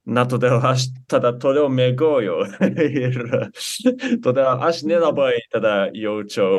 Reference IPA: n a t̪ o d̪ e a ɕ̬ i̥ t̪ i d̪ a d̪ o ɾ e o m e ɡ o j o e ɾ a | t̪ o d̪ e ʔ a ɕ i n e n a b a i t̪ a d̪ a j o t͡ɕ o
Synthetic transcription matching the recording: n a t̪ o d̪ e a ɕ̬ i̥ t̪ a d̪ a t̪ o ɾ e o m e ɡ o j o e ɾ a | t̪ o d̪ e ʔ a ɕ i n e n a b a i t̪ a d̪ a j o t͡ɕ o